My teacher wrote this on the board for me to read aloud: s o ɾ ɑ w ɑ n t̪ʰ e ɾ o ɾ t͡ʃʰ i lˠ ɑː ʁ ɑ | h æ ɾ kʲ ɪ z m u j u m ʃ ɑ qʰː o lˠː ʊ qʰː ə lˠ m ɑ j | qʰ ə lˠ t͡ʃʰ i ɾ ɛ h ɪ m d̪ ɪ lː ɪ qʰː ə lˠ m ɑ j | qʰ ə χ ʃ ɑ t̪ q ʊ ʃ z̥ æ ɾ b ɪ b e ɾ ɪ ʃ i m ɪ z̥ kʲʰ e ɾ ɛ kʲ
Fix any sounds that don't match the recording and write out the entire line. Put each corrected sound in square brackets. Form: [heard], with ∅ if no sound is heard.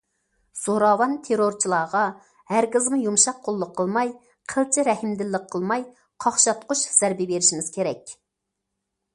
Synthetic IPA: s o ɾ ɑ w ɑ n t̪ʰ e ɾ o ɾ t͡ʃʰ i lˠ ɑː ʁ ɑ | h æ ɾ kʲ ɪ z m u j u m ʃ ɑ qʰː o lˠː ʊ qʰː ə lˠ m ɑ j | qʰ ə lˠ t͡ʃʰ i ɾ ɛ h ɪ m d̪ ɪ lː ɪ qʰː ə lˠ m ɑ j | qʰ [ɑ] χ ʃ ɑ t̪ q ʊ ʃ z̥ æ ɾ b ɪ b e ɾ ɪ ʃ i m ɪ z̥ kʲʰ e ɾ ɛ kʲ